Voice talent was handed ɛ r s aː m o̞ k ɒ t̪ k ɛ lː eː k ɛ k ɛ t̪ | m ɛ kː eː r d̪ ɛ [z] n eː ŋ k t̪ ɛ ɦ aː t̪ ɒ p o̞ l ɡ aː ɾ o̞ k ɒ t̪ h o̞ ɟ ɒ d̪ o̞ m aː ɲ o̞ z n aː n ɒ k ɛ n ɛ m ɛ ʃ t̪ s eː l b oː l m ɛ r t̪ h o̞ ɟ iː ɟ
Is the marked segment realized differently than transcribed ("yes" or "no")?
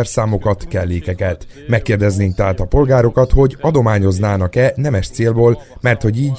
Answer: no